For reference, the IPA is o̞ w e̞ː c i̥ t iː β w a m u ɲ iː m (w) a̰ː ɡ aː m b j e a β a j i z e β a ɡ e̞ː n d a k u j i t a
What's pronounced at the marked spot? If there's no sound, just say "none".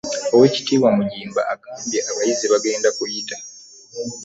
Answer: b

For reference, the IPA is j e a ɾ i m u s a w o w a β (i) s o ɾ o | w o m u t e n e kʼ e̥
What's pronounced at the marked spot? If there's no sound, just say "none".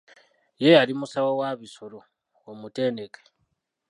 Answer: i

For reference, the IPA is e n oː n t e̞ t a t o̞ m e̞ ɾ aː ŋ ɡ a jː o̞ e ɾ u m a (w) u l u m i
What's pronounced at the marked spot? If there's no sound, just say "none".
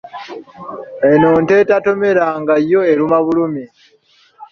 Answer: β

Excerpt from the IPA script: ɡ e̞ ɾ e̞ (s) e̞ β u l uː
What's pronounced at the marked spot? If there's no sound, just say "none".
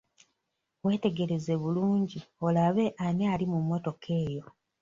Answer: z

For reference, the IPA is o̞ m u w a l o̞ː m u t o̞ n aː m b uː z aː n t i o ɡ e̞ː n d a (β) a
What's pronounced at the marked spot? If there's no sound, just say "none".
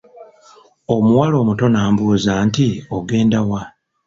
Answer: w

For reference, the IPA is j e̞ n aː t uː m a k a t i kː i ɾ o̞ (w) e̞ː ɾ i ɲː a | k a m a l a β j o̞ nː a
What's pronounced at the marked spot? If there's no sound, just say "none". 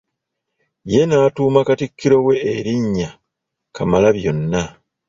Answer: w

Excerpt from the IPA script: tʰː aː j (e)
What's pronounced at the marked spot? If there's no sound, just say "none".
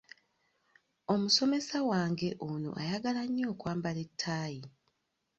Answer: i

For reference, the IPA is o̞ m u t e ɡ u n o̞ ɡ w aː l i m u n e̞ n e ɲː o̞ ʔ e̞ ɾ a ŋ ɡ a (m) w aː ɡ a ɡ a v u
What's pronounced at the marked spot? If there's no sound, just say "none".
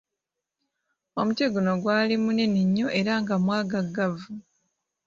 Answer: m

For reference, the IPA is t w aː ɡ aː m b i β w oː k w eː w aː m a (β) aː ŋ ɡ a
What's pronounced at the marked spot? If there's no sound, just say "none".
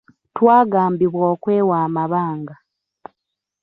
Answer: β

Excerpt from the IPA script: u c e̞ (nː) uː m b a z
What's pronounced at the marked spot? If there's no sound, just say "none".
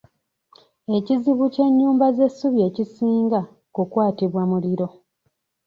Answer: ɲː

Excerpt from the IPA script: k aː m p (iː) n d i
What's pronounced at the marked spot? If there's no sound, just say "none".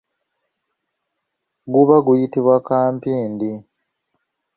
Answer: iː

